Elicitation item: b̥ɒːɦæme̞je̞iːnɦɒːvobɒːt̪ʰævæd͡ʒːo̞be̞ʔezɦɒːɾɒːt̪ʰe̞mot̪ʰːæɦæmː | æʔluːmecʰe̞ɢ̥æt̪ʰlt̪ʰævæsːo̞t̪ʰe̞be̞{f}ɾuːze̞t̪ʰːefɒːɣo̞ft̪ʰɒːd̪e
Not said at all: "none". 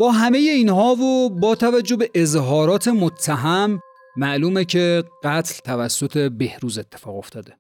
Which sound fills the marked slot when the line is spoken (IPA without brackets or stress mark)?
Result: h